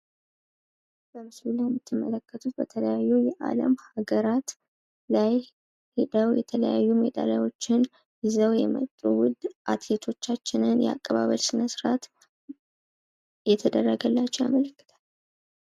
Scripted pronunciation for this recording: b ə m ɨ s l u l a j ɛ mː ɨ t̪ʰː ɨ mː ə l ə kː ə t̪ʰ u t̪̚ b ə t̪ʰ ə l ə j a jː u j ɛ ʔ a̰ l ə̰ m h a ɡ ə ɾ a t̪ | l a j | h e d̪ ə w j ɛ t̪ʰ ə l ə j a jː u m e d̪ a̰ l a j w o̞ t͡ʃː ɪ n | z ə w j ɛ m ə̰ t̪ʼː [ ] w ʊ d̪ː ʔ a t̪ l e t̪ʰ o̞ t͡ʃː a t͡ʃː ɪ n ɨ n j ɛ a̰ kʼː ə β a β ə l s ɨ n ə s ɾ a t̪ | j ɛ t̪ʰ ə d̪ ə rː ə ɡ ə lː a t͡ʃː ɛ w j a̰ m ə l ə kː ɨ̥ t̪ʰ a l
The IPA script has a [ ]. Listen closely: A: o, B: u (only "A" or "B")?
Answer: B